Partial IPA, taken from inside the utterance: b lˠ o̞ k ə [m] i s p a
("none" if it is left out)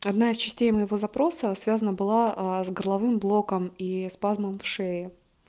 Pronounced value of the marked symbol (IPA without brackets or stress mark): m